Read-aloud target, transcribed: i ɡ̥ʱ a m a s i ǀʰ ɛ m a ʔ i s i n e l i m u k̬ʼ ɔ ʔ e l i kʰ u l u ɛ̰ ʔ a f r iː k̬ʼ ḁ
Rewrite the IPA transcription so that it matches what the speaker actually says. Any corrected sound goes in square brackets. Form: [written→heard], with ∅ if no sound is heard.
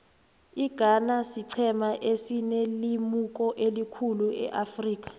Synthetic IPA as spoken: i ɡ̥ʱ a [m→n] a s i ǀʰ ɛ m a ʔ [i→e] s i n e l i m u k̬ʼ ɔ ʔ e l i kʰ u l u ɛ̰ ʔ a f r iː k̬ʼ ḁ